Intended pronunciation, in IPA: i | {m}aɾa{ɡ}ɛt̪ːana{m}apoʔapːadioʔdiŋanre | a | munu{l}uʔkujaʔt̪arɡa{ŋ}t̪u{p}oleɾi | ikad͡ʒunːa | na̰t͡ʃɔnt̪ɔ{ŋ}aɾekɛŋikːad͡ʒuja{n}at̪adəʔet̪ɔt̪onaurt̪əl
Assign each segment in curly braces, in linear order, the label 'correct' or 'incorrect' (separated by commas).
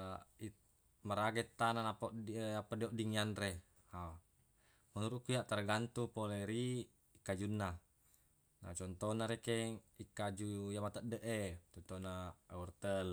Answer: correct, correct, incorrect, incorrect, incorrect, correct, incorrect, incorrect